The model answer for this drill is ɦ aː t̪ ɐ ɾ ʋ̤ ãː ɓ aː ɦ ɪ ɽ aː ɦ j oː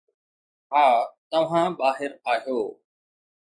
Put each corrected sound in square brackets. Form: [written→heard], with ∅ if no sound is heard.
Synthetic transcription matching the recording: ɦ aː t̪ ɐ [ɾ→∅] ʋ̤ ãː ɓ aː ɦ ɪ [ɽ→ɾ] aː ɦ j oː